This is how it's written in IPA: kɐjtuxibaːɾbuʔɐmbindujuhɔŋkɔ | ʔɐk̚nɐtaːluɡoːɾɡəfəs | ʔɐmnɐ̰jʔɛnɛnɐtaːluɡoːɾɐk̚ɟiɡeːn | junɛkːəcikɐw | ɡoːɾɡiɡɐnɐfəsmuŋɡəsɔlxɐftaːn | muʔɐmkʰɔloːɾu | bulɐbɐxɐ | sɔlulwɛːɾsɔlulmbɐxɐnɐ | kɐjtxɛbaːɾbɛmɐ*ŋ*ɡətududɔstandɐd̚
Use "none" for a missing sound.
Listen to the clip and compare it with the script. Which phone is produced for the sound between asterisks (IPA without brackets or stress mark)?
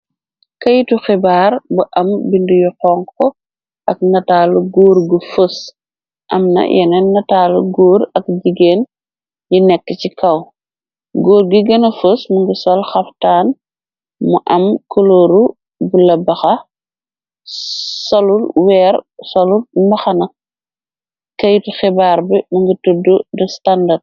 ŋ